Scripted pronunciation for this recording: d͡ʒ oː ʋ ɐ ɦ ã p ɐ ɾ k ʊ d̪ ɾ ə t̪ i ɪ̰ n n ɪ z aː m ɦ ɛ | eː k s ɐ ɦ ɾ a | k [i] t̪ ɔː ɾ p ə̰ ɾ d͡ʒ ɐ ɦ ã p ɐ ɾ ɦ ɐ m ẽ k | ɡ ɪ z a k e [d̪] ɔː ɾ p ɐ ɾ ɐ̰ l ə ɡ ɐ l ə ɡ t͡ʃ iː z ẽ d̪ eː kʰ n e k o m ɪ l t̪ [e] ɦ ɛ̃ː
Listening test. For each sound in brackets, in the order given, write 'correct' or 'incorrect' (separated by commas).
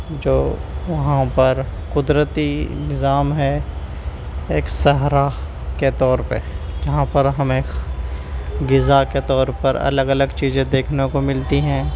incorrect, incorrect, incorrect